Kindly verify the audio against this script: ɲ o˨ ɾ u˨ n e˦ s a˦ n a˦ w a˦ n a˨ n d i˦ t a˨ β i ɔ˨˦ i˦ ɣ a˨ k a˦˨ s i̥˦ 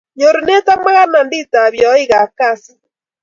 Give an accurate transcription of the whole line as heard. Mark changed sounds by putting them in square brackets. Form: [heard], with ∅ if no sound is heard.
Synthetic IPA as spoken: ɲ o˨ ɾ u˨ n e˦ [t] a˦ [m] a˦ [ɣ] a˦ n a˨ n d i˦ t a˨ β [j] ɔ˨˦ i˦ ɣ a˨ k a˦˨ s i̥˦